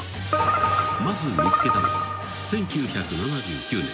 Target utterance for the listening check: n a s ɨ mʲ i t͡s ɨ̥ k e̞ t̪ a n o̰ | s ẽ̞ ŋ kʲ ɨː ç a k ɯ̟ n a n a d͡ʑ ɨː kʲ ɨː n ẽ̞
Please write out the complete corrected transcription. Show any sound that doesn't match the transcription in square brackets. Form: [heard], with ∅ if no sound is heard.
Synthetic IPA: [m] a [z] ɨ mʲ i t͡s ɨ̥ k e̞ t̪ a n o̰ | s ẽ̞ ŋ kʲ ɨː ç a k ɯ̟ n a n a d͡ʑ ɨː kʲ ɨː n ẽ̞